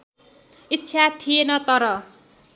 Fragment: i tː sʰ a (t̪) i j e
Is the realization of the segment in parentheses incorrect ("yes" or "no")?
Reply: yes